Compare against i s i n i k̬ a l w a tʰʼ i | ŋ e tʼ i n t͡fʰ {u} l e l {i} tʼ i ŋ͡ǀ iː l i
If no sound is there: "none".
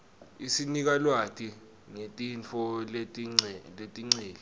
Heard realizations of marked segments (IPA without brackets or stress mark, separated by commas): ɔ, e